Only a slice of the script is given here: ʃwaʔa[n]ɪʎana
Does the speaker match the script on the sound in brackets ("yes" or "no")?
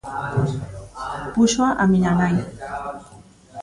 no